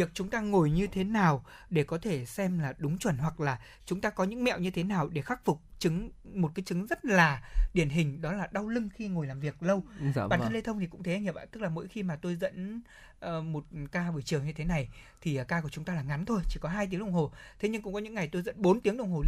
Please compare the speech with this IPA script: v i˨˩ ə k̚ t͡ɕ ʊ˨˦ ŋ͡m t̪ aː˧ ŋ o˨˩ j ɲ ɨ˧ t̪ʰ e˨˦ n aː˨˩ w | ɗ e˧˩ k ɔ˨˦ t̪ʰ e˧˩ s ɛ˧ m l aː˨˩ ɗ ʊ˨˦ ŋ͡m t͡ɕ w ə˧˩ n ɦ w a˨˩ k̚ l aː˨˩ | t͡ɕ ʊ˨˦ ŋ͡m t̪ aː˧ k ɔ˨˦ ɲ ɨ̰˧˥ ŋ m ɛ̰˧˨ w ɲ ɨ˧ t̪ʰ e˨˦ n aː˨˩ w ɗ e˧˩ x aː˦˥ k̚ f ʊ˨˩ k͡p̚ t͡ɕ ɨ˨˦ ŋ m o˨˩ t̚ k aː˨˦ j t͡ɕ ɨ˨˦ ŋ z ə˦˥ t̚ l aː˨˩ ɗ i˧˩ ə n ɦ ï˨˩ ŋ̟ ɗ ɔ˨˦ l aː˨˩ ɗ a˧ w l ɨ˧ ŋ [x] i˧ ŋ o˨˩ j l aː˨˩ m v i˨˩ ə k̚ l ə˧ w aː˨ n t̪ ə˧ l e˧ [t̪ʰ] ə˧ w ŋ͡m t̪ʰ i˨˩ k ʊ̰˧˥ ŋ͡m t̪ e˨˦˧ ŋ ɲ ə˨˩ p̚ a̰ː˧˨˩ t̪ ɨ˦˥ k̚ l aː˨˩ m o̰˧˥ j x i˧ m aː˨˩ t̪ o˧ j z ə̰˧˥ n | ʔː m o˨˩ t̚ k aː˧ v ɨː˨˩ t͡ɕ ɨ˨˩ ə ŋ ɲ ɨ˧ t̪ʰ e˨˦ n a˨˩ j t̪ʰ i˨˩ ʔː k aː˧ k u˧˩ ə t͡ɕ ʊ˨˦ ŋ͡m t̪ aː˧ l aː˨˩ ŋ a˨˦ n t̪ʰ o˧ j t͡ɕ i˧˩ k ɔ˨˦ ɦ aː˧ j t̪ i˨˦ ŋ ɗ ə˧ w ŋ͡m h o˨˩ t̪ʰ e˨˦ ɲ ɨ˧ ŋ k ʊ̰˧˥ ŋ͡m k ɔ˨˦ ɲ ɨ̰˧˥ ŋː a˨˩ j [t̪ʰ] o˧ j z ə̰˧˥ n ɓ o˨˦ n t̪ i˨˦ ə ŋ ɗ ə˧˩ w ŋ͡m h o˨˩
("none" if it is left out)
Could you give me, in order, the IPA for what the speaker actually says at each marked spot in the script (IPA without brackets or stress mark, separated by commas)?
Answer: x, t̪ʰ, t̪